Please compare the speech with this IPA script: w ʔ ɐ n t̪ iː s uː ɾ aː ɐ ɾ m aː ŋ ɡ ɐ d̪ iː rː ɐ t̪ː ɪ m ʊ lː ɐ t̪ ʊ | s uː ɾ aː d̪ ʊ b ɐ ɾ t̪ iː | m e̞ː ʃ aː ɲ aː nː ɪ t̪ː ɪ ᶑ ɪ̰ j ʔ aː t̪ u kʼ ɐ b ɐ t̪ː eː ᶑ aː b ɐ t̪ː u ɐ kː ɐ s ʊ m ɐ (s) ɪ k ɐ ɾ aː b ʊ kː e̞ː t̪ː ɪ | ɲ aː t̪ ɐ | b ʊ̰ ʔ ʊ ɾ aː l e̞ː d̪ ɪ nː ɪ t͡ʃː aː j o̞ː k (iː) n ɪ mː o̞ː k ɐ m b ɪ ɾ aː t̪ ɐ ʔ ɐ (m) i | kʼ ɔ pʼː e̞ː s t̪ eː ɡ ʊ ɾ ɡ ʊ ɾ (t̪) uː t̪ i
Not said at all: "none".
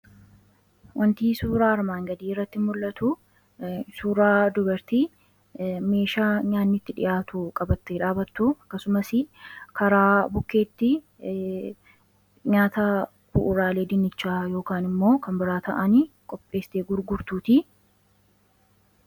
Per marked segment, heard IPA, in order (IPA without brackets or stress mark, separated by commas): s, aː, n, t̪